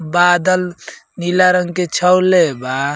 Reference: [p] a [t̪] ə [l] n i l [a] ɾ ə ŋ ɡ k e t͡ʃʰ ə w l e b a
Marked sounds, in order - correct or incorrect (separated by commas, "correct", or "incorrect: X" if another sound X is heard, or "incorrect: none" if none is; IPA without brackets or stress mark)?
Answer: incorrect: b, incorrect: d̪, correct, correct